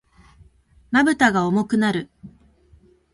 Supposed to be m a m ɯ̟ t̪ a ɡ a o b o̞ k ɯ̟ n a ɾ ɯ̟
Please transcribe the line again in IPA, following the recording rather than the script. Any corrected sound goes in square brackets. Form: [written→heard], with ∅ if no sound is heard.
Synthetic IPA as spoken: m a [m→b] ɯ̟ t̪ a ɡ a o [b→m] o̞ k ɯ̟ n a ɾ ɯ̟